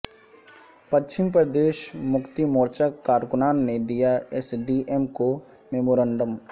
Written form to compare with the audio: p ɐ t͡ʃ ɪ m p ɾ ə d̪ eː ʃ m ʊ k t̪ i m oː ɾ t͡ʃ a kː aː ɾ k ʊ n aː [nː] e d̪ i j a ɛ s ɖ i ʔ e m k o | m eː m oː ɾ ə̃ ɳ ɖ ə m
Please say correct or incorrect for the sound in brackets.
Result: correct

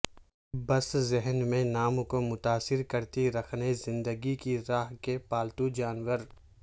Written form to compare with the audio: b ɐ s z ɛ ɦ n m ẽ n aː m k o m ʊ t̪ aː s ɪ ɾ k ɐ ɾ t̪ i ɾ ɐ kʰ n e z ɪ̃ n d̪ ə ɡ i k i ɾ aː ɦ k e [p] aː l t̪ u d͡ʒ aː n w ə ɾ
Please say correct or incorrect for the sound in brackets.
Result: correct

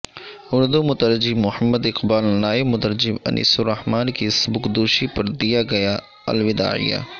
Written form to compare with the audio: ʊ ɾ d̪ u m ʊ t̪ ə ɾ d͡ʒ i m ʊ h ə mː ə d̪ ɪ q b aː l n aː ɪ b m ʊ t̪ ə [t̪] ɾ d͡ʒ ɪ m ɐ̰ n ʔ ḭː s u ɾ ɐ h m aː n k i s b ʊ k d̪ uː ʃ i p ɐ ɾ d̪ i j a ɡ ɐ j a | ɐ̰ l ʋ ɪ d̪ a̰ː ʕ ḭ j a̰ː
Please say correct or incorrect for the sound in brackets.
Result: incorrect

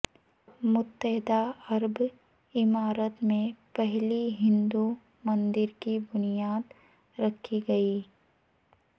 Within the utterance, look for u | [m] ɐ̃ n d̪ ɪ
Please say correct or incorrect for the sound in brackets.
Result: correct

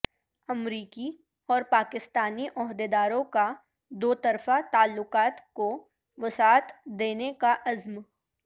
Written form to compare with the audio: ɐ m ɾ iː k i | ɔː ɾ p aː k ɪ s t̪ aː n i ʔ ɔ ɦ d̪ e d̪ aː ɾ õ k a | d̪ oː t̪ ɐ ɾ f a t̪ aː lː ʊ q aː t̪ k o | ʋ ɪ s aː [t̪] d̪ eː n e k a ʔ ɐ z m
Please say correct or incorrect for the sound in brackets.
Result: correct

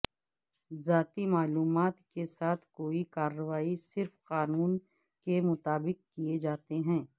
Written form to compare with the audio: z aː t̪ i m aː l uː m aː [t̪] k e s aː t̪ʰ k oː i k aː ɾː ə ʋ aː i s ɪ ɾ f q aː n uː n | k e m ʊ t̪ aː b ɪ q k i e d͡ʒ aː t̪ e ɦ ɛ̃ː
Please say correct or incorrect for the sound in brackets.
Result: correct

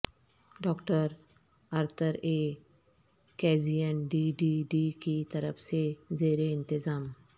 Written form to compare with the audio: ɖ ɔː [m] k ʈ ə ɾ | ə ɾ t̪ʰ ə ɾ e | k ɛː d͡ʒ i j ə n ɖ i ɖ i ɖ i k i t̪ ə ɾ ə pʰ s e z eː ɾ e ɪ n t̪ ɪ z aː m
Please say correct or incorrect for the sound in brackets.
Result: incorrect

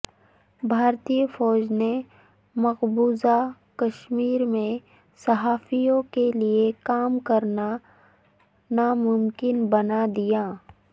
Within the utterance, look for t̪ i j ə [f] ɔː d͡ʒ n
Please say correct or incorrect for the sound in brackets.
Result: correct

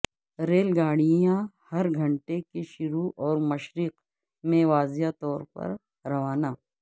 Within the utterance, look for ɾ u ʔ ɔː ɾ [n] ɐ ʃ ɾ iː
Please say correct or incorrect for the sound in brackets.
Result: incorrect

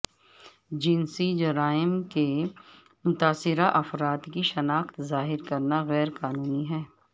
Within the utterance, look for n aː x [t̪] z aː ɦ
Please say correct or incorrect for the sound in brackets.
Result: correct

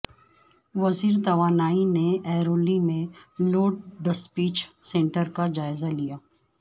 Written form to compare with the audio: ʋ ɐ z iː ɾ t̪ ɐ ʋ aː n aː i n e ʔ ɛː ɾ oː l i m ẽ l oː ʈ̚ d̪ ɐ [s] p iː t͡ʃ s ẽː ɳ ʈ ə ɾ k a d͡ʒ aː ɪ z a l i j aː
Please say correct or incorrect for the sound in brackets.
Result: correct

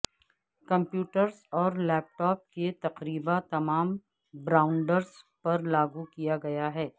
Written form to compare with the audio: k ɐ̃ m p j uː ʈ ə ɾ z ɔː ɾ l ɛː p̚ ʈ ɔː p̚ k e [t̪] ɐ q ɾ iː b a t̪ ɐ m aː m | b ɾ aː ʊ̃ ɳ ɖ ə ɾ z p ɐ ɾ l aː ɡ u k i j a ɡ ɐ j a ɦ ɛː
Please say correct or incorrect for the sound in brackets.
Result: correct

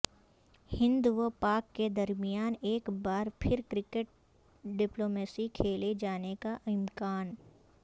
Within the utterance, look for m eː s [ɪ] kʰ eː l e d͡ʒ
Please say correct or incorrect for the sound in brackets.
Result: incorrect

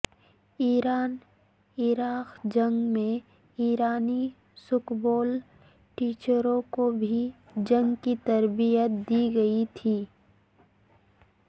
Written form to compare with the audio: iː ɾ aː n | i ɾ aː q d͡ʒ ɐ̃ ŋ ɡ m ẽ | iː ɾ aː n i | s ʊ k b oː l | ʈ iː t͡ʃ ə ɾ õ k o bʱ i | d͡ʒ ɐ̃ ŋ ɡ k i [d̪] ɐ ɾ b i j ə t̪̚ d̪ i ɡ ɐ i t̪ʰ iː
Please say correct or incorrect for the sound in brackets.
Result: incorrect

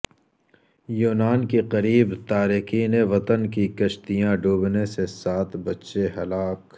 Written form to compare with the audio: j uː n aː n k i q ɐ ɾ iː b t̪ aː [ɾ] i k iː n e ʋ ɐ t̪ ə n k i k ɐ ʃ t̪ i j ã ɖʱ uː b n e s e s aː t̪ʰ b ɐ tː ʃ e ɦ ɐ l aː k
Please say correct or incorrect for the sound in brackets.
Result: correct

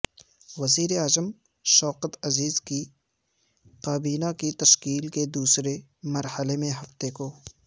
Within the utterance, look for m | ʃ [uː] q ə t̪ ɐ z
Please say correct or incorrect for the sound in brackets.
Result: incorrect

